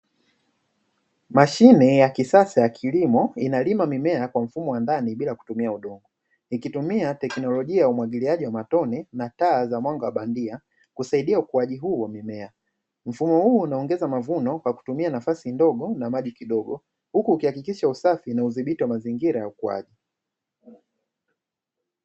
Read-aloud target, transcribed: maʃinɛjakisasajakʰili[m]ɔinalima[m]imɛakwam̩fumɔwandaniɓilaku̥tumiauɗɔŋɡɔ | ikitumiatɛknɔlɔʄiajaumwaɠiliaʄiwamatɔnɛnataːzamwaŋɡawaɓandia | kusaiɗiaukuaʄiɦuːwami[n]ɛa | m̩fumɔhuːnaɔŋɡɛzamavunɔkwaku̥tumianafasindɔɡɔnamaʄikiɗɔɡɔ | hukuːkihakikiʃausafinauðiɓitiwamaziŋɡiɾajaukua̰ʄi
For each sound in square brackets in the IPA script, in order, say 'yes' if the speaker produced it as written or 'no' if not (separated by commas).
yes, yes, no